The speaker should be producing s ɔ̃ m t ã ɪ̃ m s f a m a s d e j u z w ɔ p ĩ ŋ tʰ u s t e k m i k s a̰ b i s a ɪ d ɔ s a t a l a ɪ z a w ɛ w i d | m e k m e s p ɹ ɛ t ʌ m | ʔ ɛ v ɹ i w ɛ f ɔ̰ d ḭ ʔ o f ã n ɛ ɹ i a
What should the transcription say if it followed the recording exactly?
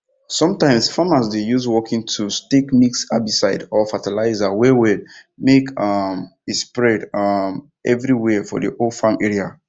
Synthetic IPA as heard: s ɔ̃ m t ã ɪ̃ m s f a m a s d e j u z w ɔ k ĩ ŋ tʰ u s t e k m i k s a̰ b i s a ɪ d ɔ f a t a l a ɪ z a w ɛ w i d | m e k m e s p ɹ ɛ d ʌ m | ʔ ɛ v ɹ i w ɛ f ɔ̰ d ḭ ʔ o f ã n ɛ ɹ i a